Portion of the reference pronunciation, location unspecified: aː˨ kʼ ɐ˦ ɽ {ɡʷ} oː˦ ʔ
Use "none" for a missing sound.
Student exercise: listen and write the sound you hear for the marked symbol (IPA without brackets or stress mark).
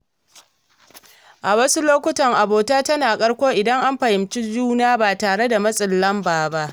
kʷ